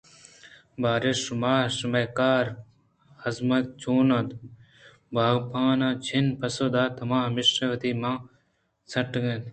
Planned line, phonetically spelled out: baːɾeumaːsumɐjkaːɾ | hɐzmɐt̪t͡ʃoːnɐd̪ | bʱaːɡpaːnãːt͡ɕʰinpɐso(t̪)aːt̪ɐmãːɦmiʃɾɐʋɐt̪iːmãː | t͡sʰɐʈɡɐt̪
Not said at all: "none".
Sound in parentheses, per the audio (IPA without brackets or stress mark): d̪